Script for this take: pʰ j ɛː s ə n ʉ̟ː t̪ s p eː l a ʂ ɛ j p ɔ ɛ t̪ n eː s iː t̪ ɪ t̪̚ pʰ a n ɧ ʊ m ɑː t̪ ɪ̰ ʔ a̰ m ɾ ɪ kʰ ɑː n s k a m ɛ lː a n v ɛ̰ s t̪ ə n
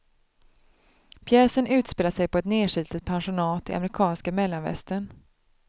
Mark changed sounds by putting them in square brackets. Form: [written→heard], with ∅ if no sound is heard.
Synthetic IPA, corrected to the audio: pʰ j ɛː s ə n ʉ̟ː t̪ s p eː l a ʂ ɛ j p ɔ ɛ t̪ n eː [s→ʂ] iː t̪ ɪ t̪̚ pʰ a n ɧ ʊ [m→n] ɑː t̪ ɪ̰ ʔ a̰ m ɾ ɪ kʰ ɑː n s k a m ɛ lː a n v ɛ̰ s t̪ ə n